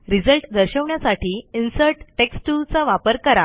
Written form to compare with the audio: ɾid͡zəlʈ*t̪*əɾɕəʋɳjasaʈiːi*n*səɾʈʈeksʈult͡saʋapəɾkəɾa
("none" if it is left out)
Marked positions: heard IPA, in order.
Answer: d̪, n

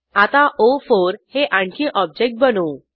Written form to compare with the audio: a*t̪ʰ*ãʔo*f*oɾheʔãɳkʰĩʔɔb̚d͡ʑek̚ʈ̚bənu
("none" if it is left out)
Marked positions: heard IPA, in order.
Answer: t̪, f

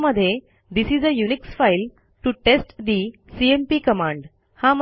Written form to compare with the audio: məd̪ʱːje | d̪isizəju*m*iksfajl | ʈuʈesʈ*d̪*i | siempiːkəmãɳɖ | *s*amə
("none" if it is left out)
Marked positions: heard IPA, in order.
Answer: n, d̪, h

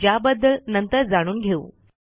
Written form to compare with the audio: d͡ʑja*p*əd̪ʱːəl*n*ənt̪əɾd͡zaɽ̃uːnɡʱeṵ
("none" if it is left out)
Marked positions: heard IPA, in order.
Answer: b, n

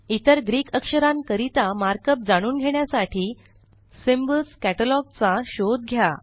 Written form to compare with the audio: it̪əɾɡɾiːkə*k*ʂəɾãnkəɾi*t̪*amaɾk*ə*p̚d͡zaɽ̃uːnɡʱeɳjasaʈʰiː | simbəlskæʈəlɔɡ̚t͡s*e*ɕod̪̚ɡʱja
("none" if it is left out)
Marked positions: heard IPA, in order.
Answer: k, t̪, ə, a

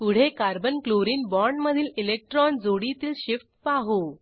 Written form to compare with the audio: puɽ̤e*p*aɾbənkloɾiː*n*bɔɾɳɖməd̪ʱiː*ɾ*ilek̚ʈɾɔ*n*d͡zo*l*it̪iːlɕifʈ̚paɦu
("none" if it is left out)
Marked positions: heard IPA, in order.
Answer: k, n, l, n, ɽ

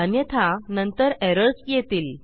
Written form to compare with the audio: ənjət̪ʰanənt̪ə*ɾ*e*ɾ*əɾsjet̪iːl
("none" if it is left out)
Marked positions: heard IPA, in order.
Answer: ɾ, ɾ

